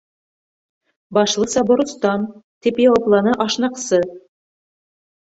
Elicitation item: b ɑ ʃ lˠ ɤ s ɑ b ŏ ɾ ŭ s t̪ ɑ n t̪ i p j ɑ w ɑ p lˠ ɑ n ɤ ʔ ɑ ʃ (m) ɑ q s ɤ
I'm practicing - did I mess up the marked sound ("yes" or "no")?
yes